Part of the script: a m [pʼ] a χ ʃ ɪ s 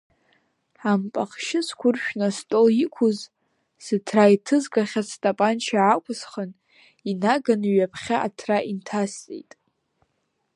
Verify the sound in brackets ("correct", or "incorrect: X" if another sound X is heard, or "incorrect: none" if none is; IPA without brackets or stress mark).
correct